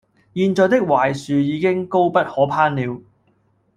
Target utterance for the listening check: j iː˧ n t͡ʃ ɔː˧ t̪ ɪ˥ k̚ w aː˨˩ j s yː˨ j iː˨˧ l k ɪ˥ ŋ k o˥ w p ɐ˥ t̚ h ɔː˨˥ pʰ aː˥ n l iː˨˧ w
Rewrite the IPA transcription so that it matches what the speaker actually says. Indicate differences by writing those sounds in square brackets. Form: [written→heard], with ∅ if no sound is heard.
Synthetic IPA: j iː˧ n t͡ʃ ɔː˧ t̪ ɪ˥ k̚ w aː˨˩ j s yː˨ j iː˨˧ [l→∅] k ɪ˥ ŋ k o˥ w p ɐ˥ t̚ h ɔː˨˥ pʰ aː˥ n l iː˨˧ w